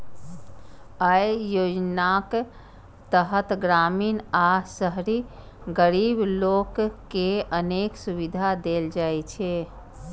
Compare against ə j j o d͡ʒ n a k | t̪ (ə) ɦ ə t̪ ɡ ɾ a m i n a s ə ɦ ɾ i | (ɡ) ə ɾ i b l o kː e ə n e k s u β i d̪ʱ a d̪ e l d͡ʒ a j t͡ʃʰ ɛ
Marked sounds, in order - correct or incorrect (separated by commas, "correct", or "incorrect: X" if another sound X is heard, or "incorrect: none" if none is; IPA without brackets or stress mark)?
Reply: correct, correct